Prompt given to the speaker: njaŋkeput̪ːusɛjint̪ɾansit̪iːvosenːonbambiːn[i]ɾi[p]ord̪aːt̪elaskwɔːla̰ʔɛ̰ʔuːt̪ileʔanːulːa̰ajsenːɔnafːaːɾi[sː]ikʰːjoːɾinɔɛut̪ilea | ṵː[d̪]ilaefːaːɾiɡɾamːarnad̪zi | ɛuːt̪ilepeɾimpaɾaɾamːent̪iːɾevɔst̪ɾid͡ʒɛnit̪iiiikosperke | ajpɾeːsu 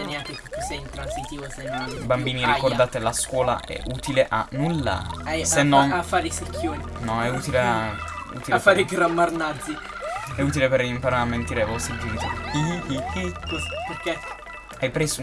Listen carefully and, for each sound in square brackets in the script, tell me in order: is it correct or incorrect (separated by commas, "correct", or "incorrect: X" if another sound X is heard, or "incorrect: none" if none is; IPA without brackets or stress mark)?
correct, incorrect: k, incorrect: s, incorrect: t̪